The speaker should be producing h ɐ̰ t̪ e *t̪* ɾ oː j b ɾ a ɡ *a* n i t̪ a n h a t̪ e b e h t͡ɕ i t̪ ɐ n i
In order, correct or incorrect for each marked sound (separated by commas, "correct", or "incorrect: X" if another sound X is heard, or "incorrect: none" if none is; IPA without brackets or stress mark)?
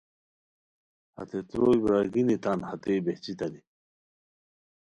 correct, incorrect: i